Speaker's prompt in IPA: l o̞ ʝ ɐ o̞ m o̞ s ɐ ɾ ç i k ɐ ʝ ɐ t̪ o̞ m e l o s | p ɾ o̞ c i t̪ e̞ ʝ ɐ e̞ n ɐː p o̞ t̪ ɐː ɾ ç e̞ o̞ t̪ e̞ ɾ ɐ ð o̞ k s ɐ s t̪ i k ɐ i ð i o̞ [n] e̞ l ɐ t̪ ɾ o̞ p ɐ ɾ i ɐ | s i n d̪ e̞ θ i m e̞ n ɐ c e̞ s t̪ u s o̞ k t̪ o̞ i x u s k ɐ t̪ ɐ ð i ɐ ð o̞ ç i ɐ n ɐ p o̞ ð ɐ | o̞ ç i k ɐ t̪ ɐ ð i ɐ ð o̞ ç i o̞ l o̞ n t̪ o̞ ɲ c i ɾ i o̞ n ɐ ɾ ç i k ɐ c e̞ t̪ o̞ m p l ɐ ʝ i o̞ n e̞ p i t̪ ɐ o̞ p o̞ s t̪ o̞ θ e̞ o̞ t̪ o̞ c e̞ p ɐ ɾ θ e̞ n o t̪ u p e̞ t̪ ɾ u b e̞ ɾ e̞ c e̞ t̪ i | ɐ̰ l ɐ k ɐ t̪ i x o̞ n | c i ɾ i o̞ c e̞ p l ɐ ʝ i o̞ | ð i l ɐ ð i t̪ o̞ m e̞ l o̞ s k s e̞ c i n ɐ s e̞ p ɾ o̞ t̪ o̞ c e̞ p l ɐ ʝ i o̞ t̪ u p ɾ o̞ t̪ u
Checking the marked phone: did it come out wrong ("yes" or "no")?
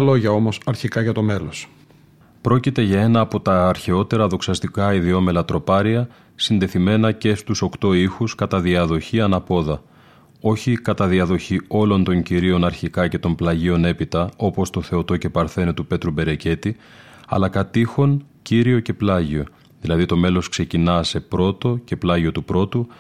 yes